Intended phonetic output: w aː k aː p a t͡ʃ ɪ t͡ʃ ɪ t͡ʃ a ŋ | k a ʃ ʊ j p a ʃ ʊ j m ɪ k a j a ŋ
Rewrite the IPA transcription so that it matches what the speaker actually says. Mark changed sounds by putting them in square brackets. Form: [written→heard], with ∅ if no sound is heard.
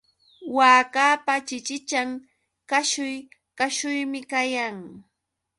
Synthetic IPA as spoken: w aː k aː p a t͡ʃ ɪ t͡ʃ ɪ t͡ʃ a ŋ | k a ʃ ʊ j [p→k] a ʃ ʊ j m ɪ k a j a ŋ